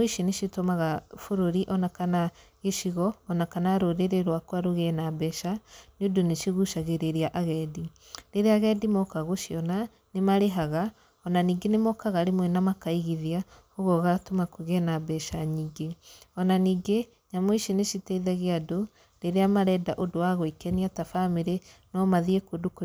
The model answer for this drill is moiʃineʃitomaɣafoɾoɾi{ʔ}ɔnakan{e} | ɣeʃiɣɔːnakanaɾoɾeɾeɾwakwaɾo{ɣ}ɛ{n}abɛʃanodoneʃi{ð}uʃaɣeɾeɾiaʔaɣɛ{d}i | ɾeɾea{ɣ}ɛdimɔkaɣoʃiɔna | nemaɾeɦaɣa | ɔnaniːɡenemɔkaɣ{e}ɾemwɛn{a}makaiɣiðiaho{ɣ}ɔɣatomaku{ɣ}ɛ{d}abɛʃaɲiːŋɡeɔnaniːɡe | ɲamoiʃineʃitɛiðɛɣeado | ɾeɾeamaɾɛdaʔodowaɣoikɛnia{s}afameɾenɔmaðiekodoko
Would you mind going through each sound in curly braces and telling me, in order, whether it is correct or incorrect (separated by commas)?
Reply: correct, incorrect, correct, correct, incorrect, correct, correct, incorrect, correct, correct, correct, incorrect, incorrect